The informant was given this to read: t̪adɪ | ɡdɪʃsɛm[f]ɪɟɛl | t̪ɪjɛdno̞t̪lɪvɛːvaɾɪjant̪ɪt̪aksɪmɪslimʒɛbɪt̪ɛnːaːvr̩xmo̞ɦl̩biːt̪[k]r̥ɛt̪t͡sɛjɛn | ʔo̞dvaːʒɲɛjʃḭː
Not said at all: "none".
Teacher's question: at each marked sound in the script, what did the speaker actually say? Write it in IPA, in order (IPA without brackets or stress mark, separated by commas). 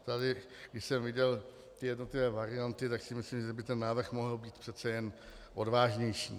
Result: v, p